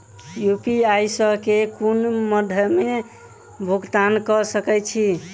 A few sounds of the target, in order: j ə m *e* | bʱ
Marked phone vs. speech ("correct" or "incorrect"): correct